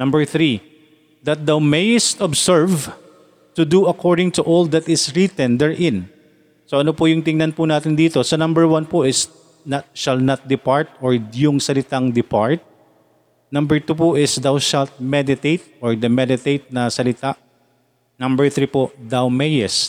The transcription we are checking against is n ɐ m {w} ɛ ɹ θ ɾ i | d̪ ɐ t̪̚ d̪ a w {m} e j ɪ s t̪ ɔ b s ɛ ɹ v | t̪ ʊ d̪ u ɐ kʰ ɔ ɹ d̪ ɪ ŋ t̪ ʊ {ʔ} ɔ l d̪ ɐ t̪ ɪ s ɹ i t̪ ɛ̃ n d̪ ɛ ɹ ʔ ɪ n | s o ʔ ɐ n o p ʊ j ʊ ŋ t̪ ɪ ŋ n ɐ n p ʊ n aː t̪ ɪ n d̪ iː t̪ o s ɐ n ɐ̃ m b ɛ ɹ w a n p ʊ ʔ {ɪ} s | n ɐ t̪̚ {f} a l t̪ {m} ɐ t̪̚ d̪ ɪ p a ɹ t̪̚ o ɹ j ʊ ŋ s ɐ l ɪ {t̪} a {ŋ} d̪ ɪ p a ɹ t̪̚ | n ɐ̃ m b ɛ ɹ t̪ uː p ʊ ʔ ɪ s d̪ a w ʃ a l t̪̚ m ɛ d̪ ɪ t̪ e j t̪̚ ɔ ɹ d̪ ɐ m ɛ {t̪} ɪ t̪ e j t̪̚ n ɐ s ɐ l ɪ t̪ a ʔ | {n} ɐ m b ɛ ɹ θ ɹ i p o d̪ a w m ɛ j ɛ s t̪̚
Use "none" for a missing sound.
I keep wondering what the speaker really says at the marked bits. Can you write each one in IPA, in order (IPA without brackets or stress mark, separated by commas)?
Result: b, m, ʔ, ɪ, ʃ, n, t̪, ŋ, d̪, n